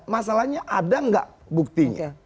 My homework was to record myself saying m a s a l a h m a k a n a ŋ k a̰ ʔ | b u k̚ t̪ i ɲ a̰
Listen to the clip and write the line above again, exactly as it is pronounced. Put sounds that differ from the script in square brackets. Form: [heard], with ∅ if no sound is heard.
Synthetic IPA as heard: m a s a l a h [ɲ] a [ʔ] a [d] a ŋ [ɡ] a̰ ʔ | b u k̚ t̪ i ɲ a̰